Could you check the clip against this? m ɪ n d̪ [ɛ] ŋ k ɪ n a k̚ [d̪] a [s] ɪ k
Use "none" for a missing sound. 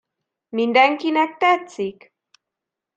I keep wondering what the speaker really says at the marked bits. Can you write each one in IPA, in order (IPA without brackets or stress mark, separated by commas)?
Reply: a, t̪, t͡s